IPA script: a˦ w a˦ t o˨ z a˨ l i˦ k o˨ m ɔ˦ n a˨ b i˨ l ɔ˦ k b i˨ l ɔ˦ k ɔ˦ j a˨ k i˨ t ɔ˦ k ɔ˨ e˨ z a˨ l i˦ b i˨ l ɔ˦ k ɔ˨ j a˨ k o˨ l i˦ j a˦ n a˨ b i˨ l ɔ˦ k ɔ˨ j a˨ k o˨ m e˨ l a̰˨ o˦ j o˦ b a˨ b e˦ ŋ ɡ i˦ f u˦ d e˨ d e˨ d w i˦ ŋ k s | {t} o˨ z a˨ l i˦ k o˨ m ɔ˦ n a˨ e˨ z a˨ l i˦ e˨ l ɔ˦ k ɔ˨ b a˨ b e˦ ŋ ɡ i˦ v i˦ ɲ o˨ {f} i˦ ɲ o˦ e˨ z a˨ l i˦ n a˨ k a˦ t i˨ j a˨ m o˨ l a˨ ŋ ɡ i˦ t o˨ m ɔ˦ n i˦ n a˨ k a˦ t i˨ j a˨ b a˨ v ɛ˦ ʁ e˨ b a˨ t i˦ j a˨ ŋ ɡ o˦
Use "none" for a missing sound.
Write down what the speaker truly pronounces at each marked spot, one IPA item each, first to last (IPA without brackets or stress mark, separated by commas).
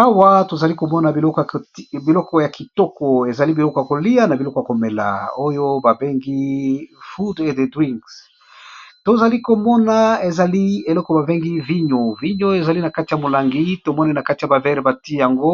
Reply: t, v